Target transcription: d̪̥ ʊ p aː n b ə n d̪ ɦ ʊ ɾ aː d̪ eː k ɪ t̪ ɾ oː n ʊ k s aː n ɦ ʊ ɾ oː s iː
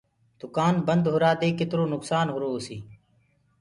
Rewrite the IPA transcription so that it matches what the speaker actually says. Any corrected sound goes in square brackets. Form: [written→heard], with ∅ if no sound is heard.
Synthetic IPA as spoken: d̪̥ ʊ [p→k] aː n b ə n d̪ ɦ ʊ ɾ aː d̪ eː k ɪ t̪ ɾ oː n ʊ k s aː n ɦ ʊ ɾ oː s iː